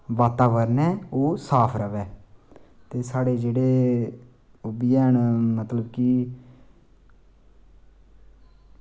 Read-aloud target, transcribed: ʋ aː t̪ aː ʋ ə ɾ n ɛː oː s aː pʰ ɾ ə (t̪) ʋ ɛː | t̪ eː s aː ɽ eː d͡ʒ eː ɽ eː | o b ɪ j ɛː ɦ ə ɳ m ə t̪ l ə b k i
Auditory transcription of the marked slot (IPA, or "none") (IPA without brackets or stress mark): none